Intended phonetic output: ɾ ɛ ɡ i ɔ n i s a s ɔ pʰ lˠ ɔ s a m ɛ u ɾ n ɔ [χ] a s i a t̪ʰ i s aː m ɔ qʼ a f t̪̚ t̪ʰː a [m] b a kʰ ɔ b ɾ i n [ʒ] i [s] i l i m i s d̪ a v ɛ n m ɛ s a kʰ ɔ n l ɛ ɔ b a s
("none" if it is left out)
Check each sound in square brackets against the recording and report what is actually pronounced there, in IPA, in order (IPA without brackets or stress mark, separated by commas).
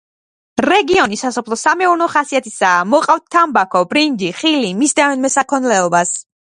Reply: χ, m, d͡ʒ, χ